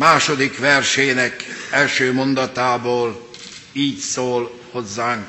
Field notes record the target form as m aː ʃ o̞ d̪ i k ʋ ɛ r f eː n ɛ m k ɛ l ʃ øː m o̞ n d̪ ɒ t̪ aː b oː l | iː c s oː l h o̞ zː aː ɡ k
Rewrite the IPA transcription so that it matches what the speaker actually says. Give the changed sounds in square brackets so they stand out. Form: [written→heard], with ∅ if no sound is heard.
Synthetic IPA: m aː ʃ o̞ d̪ i k ʋ ɛ r [f→ʃ] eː n ɛ [m→∅] k ɛ l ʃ øː m o̞ n d̪ ɒ t̪ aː b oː l | iː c s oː l h o̞ zː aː [ɡ→ŋ] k